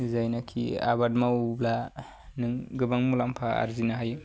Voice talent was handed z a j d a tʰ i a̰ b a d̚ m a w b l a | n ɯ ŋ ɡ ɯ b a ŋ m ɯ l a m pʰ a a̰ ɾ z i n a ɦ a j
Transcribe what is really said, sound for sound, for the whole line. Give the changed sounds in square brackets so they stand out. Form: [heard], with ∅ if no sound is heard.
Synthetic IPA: z a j [n] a [kʰ] i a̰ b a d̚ m a w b l a | n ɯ ŋ ɡ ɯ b a ŋ m [u] l a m pʰ a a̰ ɾ z i n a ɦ a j